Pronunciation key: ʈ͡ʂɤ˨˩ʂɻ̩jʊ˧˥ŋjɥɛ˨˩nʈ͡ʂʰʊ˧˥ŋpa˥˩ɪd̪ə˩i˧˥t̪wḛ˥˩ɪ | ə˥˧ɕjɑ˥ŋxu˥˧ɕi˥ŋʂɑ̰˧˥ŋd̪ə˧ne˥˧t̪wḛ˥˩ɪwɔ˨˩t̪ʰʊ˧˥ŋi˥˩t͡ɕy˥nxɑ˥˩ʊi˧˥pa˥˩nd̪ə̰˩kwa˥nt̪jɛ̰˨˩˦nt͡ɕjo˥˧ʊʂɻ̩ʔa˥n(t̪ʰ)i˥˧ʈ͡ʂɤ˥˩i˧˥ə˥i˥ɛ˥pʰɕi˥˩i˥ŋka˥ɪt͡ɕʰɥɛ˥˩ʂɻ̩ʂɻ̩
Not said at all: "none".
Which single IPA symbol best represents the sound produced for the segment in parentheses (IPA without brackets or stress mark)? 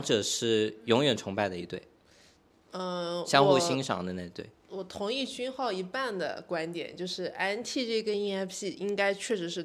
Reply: t̪ʰ